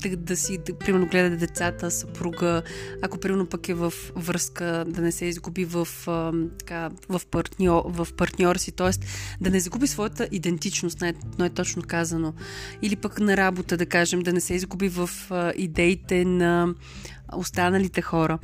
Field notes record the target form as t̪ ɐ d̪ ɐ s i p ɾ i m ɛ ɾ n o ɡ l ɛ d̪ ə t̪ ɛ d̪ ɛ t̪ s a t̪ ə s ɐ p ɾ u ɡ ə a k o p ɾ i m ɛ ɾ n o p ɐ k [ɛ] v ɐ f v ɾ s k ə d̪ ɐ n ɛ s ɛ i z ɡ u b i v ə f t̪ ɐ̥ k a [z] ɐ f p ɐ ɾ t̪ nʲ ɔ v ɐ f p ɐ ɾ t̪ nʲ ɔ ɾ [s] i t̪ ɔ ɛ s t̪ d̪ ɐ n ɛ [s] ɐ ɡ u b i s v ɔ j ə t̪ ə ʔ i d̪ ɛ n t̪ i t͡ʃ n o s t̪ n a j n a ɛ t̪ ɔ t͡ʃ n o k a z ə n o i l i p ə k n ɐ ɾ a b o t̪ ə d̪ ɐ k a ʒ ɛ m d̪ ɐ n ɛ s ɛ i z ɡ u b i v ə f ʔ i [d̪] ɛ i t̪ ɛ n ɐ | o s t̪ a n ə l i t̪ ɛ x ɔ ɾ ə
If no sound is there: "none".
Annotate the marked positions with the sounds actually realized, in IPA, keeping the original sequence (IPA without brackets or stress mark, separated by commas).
ɛ, v, s, z, d̪